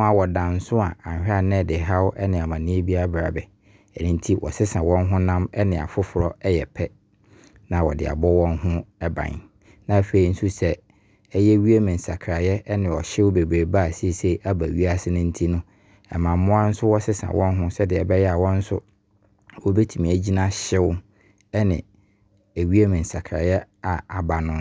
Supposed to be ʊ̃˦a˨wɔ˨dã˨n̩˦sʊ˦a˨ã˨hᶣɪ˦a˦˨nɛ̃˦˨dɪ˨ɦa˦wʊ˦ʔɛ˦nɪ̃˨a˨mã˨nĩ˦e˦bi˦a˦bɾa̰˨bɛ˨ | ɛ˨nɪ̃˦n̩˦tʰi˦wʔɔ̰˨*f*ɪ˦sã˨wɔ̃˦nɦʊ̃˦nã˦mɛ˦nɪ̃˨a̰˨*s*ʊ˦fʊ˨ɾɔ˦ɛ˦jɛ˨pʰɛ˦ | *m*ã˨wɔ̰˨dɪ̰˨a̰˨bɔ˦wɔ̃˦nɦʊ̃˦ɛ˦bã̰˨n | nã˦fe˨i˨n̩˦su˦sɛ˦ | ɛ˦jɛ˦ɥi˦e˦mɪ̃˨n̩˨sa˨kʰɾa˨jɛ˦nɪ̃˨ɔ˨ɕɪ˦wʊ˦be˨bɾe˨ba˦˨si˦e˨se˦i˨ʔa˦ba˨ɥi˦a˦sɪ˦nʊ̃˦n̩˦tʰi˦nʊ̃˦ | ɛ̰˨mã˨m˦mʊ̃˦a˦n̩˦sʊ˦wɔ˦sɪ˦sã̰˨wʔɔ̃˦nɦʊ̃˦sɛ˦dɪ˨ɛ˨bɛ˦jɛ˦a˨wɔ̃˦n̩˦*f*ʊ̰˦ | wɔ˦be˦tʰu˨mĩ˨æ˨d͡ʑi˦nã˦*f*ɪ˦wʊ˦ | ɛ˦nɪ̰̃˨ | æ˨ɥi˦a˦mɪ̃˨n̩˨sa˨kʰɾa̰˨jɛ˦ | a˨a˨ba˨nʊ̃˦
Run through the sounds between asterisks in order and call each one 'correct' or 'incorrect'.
incorrect: s, incorrect: f, incorrect: n, incorrect: s, incorrect: ɕ

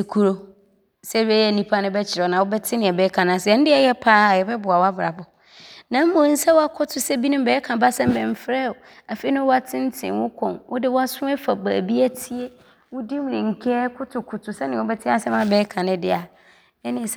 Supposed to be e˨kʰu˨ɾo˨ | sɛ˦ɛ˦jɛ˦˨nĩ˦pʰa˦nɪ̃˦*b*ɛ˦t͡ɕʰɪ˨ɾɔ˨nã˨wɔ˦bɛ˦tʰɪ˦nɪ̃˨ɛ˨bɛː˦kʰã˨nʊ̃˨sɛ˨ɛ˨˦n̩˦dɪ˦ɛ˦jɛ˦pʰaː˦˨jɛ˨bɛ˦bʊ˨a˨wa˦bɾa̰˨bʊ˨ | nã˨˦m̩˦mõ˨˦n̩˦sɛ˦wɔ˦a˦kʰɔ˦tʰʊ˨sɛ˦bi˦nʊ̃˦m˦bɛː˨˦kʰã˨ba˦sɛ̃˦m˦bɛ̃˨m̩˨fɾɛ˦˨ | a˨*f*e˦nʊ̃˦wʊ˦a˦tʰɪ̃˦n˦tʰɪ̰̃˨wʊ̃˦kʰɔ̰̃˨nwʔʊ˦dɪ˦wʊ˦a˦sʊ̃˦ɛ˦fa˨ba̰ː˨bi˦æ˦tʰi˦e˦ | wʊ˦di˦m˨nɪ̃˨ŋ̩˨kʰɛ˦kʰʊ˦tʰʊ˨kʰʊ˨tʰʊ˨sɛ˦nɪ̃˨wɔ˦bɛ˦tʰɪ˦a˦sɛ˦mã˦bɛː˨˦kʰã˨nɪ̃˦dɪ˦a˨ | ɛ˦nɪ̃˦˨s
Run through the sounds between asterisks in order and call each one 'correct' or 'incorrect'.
correct, correct

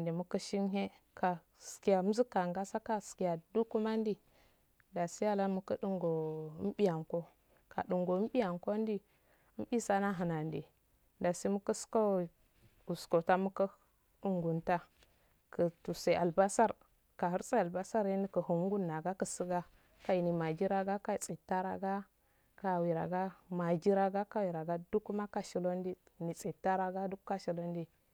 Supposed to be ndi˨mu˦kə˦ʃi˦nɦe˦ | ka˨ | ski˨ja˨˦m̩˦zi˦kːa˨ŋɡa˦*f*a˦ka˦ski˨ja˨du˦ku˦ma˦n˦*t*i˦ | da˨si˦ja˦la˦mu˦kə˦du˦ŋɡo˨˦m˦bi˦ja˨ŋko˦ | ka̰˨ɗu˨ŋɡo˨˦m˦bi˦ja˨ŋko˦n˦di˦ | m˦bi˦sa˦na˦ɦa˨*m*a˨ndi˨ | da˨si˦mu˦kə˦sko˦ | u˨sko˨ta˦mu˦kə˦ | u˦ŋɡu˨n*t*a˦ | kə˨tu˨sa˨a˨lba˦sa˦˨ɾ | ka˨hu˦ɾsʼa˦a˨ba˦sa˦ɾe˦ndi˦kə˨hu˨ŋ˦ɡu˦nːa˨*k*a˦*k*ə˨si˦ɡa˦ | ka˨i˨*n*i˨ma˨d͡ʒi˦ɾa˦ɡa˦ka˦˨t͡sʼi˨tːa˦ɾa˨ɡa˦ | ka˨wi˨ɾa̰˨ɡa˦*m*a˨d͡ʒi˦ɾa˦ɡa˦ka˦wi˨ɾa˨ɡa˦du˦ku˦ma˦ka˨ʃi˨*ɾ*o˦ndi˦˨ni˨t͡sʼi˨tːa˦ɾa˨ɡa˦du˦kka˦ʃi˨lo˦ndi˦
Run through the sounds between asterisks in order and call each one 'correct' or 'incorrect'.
incorrect: s, incorrect: d, incorrect: n, correct, incorrect: ɡ, correct, correct, correct, incorrect: l

